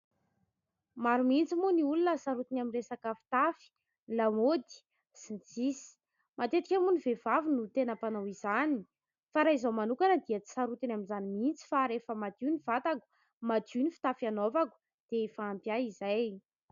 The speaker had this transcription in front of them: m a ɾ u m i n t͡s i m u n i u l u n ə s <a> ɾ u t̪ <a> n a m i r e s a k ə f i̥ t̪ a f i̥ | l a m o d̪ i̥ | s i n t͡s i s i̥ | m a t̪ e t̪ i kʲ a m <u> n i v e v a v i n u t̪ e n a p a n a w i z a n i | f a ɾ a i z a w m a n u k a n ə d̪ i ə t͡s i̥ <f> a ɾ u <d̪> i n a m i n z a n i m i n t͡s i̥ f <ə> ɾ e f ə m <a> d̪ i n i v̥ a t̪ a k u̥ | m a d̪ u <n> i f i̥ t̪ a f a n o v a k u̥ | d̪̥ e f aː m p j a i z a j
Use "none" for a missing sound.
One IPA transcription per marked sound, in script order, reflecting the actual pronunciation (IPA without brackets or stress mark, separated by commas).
a, i, u, s, t̪, a, a, n